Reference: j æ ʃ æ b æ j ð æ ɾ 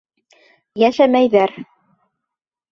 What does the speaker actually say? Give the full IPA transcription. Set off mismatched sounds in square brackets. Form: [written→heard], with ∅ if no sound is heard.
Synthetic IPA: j æ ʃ æ [b→m] æ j ð æ ɾ